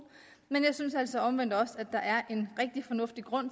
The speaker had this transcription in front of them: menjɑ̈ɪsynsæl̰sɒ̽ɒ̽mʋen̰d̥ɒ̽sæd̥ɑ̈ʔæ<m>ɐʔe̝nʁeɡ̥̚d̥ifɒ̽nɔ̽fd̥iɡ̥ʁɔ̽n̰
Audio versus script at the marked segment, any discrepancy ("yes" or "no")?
yes